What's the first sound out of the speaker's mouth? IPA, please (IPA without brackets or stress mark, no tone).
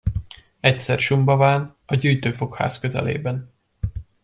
ɛ